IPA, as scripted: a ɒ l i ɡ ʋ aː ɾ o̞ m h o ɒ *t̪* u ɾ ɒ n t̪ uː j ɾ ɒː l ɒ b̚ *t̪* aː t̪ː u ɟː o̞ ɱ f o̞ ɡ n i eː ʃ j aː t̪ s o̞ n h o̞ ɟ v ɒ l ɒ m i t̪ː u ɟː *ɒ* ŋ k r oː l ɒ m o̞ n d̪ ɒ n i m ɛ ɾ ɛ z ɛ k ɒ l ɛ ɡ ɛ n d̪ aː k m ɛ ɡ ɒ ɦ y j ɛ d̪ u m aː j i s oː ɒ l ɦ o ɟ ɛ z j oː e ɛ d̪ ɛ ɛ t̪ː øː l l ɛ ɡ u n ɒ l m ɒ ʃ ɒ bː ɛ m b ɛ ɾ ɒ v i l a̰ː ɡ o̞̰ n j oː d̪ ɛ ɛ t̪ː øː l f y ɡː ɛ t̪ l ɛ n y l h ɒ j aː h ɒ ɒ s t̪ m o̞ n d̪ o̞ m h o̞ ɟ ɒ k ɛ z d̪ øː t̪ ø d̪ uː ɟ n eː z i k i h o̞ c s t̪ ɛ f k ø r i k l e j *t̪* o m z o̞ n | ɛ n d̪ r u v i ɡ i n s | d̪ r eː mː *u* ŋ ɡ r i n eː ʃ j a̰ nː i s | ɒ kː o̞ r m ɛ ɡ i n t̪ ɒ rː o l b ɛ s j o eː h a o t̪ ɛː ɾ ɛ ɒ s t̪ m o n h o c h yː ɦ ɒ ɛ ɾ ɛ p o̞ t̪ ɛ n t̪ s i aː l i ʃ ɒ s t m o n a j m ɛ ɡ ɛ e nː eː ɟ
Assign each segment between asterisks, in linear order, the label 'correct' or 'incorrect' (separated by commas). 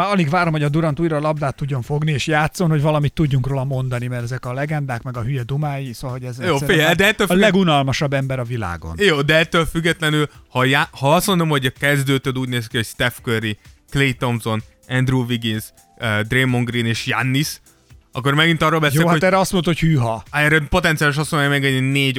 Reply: incorrect, incorrect, incorrect, correct, incorrect